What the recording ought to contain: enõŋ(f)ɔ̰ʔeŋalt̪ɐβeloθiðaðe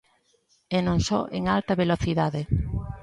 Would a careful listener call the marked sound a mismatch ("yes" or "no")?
yes